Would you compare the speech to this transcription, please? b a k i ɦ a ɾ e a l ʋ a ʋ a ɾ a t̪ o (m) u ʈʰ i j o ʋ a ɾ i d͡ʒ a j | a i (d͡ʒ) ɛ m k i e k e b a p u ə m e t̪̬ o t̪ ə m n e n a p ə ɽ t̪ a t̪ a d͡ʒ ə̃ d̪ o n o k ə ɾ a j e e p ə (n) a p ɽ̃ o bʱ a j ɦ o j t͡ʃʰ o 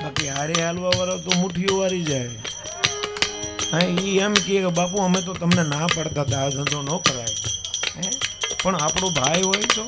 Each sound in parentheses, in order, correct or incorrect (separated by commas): correct, incorrect, incorrect